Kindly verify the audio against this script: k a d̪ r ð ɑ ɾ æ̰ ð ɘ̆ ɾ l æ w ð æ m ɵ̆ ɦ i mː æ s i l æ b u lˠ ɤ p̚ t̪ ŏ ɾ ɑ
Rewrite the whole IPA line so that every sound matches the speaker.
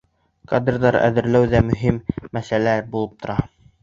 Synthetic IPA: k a d̪ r ð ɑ ɾ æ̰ ð ɘ̆ ɾ l æ w ð æ m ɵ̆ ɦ i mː æ s æ l æ b u lˠ ɤ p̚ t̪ ŏ ɾ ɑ